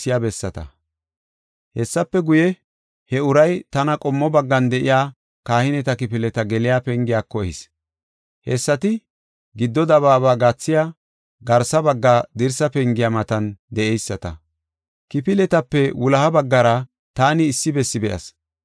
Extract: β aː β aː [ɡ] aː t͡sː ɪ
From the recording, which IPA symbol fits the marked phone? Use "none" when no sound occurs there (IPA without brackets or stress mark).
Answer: ɡ